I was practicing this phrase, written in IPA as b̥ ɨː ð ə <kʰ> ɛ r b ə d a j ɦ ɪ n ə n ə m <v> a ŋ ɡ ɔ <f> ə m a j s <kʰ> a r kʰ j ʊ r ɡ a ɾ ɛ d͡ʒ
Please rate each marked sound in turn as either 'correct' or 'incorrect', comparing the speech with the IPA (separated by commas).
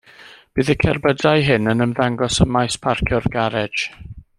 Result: correct, incorrect, incorrect, incorrect